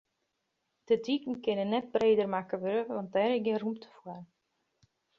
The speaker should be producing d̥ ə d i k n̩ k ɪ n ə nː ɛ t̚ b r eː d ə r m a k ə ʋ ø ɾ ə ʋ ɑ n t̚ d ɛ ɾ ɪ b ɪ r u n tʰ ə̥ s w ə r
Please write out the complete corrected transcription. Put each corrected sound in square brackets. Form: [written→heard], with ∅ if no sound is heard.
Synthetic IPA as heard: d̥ ə d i k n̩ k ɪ n ə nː ɛ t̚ b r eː d ə r m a k ə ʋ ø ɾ ə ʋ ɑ n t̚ d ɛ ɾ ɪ [b→ɡ] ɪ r u [n→m] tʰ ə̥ [s→f] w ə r